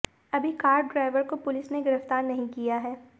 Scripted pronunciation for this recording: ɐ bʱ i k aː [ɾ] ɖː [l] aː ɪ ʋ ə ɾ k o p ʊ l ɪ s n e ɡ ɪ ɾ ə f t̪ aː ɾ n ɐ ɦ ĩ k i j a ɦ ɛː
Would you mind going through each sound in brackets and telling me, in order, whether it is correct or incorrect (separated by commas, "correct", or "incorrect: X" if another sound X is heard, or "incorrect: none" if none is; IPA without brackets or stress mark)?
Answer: correct, incorrect: ɾ